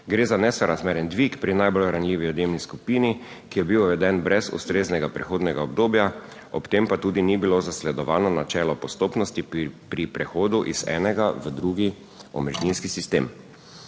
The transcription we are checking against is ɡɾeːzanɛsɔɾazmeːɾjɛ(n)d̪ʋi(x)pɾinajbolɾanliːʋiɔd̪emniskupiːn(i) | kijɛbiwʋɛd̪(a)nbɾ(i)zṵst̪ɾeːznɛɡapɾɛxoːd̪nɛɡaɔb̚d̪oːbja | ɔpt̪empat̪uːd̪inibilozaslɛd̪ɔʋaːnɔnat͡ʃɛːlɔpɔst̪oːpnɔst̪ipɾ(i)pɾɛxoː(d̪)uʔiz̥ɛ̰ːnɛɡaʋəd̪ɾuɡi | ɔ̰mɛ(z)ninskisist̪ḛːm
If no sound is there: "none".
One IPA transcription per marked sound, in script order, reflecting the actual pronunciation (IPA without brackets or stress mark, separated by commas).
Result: n, k, i, ɛ, ɛ, i, d̪, ʒ